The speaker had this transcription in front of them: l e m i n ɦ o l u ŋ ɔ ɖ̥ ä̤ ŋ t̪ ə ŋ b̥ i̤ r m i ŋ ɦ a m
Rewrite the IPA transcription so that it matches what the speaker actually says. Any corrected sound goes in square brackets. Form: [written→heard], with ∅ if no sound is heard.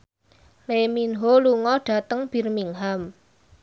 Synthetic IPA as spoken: l e m i n ɦ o l u ŋ ɔ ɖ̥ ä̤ [ŋ→∅] t̪ ə ŋ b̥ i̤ r m i ŋ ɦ a m

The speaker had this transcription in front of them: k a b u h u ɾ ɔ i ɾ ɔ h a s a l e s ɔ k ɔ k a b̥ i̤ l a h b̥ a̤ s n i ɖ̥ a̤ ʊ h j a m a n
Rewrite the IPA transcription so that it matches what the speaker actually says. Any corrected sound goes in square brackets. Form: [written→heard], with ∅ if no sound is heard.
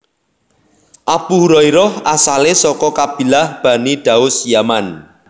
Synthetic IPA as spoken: [k→ʔ] a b u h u ɾ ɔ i ɾ ɔ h a s a l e s ɔ k ɔ k a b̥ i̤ l a h b̥ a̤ [s→∅] n i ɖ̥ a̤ ʊ [h→s] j a m a n

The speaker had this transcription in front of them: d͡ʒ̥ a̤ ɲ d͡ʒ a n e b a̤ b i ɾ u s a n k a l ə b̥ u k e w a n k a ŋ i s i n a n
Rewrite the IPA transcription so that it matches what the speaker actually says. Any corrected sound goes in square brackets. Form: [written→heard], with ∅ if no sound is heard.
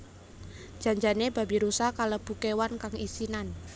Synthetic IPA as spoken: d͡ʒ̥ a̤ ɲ d͡ʒ a n e b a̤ b i ɾ u s a [n→∅] k a l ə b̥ u k e w a n k a ŋ i s i n a n

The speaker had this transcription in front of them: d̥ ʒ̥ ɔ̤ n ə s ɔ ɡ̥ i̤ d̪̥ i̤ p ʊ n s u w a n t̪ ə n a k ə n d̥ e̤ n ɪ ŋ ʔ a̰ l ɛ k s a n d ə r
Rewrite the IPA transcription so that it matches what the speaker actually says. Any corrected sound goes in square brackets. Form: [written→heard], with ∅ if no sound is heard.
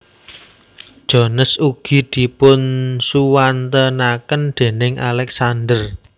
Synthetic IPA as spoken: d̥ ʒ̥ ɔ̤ n ə s [ɔ→u] ɡ̥ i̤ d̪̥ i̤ p ʊ n s u w a n t̪ ə n a k ə n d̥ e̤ n ɪ ŋ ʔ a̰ l ɛ k s a n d ə r

